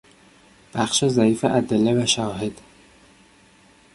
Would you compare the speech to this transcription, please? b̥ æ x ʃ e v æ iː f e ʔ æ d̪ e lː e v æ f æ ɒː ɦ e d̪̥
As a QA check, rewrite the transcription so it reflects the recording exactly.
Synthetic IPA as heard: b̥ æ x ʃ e z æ iː f e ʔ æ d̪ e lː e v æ ʃ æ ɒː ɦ e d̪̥

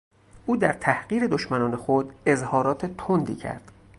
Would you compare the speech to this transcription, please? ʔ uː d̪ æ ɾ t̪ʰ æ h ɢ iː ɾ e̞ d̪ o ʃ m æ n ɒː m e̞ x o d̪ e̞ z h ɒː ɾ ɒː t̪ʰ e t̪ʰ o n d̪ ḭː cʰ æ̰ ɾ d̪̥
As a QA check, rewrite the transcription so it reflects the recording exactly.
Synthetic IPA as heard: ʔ uː d̪ æ ɾ t̪ʰ æ h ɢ iː ɾ e̞ d̪ o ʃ m æ n ɒː n e̞ x o d̪ e̞ z h ɒː ɾ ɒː t̪ʰ e t̪ʰ o n d̪ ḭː cʰ æ̰ ɾ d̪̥

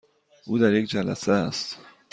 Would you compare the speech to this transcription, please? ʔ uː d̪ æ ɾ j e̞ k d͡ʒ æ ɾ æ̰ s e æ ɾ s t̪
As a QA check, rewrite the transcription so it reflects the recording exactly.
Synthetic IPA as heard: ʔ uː d̪ æ ɾ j e̞ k d͡ʒ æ l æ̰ s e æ s t̪

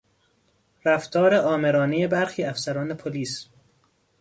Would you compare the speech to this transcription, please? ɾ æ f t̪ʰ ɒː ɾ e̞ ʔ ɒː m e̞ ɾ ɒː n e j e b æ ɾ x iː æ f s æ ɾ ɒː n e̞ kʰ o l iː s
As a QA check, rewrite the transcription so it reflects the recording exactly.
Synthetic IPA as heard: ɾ æ f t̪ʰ ɒː ɾ e̞ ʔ ɒː m e̞ ɾ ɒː n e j e b æ ɾ x iː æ f s æ ɾ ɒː n e̞ pʰ o l iː s

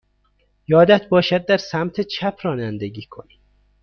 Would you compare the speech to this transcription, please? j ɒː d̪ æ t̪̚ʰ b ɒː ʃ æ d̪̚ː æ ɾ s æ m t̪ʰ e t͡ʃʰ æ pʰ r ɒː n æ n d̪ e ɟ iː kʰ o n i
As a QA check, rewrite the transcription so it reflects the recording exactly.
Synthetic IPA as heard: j ɒː d̪ æ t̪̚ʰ b ɒː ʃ æ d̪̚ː æ ɾ s æ m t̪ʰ e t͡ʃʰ æ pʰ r ɒː n æ n d̪ e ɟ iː kʰ o n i

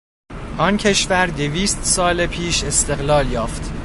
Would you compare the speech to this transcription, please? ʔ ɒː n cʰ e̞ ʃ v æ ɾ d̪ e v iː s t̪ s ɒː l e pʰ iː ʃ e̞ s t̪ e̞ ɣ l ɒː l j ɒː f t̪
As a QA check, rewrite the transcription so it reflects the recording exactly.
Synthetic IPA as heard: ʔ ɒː n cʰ e̞ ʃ v æ ɾ d̪ e v iː s t̪ s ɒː l e pʰ iː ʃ e̞ s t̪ e̞ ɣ l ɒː l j ɒː f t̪

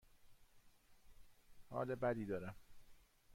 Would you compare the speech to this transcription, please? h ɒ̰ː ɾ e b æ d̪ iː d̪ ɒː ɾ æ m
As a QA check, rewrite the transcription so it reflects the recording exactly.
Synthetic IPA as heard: h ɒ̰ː l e b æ d̪ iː d̪ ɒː ɾ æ m

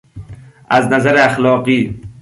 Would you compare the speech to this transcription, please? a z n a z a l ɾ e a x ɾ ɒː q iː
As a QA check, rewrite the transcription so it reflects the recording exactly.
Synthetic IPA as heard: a z n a z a ɾ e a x l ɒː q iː

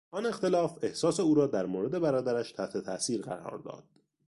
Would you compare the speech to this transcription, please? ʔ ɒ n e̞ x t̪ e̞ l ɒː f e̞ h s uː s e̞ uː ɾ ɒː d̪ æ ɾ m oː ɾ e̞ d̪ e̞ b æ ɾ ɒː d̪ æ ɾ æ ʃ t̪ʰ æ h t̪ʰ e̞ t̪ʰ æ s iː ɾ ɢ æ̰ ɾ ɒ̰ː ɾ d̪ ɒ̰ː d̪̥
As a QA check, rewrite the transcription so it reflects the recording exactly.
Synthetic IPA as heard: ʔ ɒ n e̞ x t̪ e̞ l ɒː f e̞ h s ɒː s e̞ uː ɾ ɒː d̪ æ ɾ m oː ɾ e̞ d̪ e̞ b æ ɾ ɒː d̪ æ ɾ æ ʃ t̪ʰ æ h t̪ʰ e̞ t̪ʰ æ s iː ɾ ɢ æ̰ ɾ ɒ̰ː ɾ d̪ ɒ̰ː d̪̥

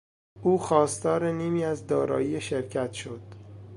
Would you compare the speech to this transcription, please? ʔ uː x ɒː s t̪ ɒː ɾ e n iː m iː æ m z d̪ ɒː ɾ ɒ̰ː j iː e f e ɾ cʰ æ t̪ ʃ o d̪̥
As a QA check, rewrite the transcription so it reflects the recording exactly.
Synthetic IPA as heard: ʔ uː x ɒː s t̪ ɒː ɾ e n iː m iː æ z d̪ ɒː ɾ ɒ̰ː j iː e ʃ e ɾ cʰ æ t̪ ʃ o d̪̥

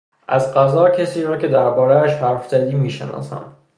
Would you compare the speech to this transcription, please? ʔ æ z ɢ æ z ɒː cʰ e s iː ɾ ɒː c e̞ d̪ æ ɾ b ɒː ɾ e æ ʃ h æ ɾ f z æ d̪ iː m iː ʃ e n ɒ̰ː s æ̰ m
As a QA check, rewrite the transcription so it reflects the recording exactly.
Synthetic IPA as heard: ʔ æ z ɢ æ z ɒː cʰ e s iː ɾ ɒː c e̞ d̪ æ ɾ b ɒː ɾ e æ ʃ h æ ɾ f z æ d̪ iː m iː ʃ e n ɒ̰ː s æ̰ m

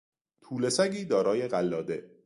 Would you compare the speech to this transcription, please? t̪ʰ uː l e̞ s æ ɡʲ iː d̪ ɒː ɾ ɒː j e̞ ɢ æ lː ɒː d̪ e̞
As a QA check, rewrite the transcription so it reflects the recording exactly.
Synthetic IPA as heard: t̪ʰ uː l e̞ s æ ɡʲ iː d̪ ɒː ɾ ɒː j e̞ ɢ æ lː ɒː d̪ e̞

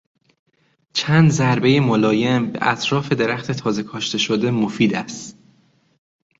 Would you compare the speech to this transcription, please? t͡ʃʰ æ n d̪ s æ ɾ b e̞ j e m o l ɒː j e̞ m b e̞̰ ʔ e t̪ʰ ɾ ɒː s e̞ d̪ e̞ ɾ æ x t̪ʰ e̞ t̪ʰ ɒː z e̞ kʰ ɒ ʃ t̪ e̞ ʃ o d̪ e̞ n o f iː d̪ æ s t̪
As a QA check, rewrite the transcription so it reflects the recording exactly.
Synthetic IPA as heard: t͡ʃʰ æ n d̪ z æ ɾ b e̞ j e m o l ɒː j e̞ m b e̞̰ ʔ æ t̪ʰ ɾ ɒː f e̞ d̪ e̞ ɾ æ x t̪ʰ e̞ t̪ʰ ɒː z e̞ kʰ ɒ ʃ t̪ e̞ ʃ o d̪ e̞ m o f iː d̪ æ s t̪

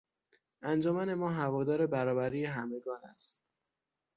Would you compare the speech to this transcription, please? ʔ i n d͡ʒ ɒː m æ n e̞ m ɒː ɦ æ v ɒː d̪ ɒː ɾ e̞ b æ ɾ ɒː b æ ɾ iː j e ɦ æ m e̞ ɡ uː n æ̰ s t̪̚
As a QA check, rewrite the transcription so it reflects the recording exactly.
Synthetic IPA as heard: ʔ æ n d͡ʒ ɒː m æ n e̞ m ɒː ɦ æ v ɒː d̪ ɒː ɾ e̞ b æ ɾ ɒː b æ ɾ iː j e ɦ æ m e̞ ɡ ɒː n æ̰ s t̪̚

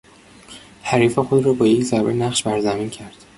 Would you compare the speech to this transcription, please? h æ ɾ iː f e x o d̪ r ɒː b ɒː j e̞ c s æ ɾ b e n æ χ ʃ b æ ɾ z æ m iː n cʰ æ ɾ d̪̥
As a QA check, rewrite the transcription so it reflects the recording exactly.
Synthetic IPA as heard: h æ ɾ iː f e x o d̪ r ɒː b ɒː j e̞ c z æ ɾ b e n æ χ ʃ b æ ɾ z æ m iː n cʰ æ ɾ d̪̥

